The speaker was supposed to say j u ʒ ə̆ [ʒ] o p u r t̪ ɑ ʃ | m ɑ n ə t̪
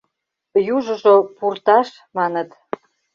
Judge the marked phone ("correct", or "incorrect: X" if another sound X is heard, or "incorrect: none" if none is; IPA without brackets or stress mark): correct